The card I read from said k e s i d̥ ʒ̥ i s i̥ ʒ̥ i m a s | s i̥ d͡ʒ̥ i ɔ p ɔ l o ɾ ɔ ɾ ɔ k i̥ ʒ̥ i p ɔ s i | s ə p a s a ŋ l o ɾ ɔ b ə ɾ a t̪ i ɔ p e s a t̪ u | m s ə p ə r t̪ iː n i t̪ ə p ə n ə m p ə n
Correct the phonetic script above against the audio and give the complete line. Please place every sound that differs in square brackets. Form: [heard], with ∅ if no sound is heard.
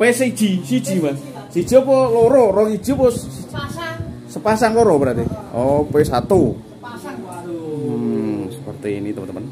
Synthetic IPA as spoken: [p] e s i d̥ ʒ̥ i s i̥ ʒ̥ i m a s | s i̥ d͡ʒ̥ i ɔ p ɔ l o ɾ ɔ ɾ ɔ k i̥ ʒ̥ i p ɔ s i | s ə p a s a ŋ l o ɾ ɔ b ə ɾ a t̪ i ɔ p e s a t̪ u | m s ə p ə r t̪ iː n i t̪ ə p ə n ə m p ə n